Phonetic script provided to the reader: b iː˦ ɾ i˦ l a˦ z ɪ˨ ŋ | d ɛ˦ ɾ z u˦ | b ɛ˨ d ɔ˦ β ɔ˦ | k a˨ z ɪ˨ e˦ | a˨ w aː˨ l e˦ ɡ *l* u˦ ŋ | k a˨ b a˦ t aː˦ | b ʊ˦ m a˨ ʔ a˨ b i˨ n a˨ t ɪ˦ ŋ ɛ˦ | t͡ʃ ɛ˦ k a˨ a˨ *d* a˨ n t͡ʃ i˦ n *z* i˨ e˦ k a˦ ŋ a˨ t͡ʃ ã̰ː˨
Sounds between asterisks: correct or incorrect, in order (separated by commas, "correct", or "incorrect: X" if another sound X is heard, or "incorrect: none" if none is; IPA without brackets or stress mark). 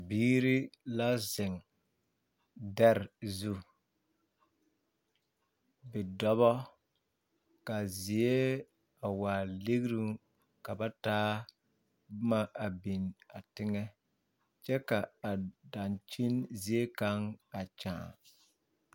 incorrect: ɾ, correct, correct